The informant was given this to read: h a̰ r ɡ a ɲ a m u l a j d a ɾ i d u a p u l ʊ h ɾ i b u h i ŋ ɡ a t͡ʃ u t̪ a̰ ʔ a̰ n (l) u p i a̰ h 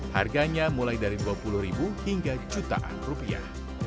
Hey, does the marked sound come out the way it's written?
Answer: no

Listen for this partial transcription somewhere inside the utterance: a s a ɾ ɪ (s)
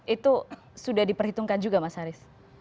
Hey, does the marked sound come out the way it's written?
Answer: yes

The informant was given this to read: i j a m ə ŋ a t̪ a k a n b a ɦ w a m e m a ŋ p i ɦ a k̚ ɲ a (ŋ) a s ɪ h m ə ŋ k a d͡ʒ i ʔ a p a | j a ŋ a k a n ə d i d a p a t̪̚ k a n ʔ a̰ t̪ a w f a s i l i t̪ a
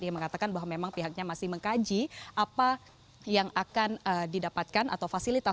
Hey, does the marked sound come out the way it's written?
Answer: no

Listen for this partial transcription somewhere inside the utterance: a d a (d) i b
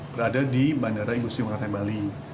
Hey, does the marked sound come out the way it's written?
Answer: yes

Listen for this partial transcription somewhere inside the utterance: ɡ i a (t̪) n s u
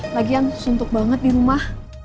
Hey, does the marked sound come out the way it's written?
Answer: no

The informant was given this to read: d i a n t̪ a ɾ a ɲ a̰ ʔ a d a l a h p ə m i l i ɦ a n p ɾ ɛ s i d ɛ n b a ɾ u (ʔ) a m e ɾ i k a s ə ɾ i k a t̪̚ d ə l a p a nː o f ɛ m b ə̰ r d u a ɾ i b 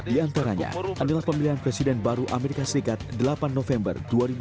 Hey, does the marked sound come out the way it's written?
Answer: yes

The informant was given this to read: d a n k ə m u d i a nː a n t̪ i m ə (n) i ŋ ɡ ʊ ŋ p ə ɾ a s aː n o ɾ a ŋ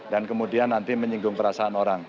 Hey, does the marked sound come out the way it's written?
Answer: no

